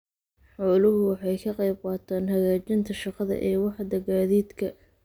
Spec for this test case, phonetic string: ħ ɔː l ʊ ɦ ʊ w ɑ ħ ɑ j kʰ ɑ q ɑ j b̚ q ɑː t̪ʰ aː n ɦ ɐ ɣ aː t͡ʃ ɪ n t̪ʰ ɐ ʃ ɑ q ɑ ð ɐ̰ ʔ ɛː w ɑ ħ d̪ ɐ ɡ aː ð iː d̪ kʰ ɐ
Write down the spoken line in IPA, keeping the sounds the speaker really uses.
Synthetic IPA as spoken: ħ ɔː l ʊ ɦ ʊ w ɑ ħ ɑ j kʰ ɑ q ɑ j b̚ q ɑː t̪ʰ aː n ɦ ɐ ɣ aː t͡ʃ ɪ n t̪ʰ ɐ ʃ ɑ q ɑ ð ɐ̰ ʔ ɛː w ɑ ħ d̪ ɐ ɡ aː ð iː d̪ kʰ ɐ